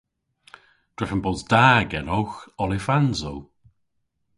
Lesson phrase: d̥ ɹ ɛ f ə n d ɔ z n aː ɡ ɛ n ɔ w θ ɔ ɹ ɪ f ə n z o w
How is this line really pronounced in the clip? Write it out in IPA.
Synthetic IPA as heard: d̥ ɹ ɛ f ə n b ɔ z d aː ɡ ɛ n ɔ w x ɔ l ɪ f a n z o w